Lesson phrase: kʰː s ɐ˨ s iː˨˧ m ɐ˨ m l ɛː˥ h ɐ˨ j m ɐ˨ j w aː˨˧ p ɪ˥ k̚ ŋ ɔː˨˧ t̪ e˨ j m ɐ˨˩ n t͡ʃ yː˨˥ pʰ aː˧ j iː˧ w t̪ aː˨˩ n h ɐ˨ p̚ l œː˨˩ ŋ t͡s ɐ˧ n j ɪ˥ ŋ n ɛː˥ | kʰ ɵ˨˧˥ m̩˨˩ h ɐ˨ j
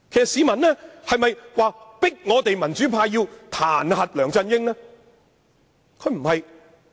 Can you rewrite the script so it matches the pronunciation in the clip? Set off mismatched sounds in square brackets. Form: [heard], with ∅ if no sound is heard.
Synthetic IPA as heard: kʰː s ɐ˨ s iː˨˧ m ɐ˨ [n] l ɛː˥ h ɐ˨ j m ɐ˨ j w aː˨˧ p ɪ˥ k̚ ŋ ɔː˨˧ t̪ e˨ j m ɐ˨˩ n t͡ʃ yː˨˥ pʰ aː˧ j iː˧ w [t̪ʰ] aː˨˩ n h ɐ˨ [t̚] l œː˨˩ ŋ t͡s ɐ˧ n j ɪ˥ ŋ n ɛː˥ | kʰ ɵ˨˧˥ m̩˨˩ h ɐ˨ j